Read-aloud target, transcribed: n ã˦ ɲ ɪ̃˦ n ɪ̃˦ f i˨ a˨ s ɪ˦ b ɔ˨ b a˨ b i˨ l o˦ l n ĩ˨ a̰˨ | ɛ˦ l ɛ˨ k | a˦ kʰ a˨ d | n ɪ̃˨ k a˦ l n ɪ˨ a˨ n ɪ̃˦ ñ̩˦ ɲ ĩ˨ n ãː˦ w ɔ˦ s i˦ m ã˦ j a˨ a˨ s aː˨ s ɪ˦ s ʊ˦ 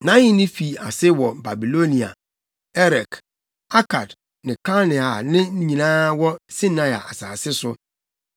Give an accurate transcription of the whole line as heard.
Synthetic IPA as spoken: n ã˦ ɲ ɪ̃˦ n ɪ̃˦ f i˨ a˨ s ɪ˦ w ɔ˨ b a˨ b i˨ l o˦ n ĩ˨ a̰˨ | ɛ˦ ɾ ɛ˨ k | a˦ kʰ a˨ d | n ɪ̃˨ k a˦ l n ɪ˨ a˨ n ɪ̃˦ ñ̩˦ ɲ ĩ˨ n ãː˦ w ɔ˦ s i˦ n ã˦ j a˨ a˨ s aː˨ s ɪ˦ s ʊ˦

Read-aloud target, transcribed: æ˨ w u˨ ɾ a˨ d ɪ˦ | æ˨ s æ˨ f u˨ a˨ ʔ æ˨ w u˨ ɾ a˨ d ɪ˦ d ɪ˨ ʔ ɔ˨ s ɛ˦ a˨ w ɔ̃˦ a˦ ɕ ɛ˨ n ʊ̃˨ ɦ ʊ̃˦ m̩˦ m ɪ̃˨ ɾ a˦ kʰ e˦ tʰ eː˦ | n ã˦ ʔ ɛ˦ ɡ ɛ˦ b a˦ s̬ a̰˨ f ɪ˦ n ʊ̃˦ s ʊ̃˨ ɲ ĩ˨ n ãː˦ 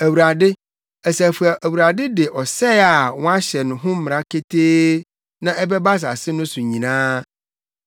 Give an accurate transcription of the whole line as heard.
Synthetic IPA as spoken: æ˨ w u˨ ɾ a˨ d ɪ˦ | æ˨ s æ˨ f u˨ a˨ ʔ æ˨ w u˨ ɾ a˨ d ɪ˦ d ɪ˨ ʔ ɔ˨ s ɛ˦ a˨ w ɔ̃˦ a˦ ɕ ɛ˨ n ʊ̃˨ ɦ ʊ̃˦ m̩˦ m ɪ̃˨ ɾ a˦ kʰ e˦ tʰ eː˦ | n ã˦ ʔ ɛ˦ b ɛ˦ b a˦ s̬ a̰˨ s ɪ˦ n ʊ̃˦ s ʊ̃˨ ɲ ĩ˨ n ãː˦

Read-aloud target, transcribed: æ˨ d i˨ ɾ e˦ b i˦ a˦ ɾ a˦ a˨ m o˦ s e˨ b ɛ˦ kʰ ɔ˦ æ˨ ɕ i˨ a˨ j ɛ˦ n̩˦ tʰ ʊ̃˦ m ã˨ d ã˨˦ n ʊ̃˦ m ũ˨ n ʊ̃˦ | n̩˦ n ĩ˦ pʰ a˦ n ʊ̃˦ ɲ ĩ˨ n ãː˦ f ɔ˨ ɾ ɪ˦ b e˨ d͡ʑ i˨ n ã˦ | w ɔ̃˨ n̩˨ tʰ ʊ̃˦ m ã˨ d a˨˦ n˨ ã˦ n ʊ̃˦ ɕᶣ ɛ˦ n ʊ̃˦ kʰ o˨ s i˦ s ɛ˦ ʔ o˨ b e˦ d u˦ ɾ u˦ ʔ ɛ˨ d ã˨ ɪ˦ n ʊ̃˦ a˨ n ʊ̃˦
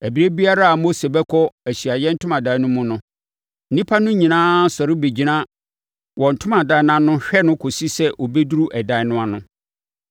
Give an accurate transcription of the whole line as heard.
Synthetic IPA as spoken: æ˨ b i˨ ɾ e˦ b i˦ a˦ ɾ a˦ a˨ m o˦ s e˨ b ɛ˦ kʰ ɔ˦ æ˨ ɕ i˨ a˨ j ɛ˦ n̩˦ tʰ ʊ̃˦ m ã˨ d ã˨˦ n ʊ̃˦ m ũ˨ n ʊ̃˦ | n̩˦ n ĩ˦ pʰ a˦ n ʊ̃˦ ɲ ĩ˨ n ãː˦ s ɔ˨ ɾ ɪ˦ b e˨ d͡ʑ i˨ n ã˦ | w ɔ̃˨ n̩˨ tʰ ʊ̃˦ m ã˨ d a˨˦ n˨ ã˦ n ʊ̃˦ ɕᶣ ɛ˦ n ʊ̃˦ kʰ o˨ s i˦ s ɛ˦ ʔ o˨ b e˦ d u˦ ɾ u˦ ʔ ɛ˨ d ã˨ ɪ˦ n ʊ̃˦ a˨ n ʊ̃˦

